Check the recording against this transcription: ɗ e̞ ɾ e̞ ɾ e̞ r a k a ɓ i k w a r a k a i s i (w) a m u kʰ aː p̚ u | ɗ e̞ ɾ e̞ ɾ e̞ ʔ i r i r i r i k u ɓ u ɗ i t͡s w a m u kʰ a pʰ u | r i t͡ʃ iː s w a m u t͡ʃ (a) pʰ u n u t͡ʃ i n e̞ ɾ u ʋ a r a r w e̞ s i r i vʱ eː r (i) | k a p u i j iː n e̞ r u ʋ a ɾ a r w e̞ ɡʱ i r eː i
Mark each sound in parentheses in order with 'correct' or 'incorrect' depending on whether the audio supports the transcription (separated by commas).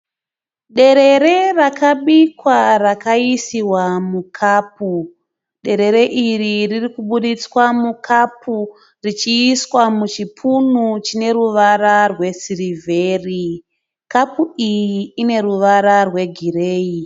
correct, incorrect, correct